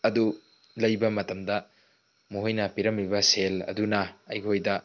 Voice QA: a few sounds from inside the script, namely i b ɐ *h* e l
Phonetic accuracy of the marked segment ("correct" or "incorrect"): incorrect